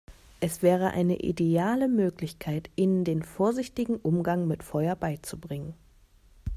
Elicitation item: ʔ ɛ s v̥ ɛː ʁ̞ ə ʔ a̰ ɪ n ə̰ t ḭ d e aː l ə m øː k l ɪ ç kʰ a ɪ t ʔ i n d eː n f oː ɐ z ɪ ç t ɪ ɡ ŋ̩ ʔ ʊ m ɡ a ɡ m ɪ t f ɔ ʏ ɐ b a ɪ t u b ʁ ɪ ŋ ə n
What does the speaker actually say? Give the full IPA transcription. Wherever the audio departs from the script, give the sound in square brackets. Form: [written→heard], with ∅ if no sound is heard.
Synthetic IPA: ʔ ɛ s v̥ ɛː ʁ̞ ə ʔ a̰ ɪ n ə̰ [t→ʔ] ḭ d e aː l ə m øː k l ɪ ç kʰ a ɪ t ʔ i n d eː n f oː ɐ z ɪ ç t ɪ ɡ ŋ̩ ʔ ʊ m ɡ a [ɡ→ŋ] m ɪ t f ɔ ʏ ɐ b a ɪ [t→t͡s] u b ʁ ɪ ŋ ə n